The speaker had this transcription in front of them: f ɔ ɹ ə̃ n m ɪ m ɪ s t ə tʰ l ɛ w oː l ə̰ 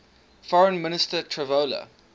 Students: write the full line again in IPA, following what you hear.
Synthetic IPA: f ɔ ɹ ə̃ n m ɪ n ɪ s t ə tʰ ɹ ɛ v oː l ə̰